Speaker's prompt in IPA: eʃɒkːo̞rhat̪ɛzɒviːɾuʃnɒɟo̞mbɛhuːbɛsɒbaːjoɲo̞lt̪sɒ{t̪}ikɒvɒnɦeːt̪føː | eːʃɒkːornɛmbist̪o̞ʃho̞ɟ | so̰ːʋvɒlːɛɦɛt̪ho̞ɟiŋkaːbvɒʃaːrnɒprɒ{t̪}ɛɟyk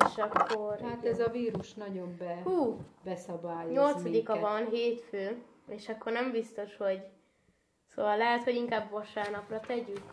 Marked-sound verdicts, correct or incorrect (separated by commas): incorrect, correct